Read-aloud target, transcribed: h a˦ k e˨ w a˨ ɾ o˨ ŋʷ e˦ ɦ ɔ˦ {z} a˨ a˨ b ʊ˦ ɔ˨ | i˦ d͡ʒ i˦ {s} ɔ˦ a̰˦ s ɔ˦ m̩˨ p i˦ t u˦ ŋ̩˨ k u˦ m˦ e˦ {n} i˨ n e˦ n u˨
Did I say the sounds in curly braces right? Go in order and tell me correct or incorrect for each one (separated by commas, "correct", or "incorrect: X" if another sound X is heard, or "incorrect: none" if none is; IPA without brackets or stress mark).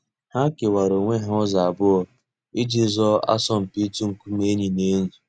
correct, incorrect: z, incorrect: ɲ